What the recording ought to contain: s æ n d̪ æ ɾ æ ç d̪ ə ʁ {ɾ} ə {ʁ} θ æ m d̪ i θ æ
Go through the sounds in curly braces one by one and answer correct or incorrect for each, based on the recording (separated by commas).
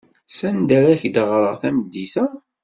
correct, correct